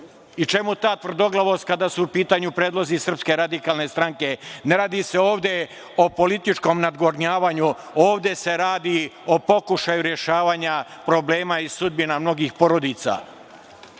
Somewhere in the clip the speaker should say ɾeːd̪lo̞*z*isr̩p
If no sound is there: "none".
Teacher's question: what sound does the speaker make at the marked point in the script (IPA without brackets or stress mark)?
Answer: z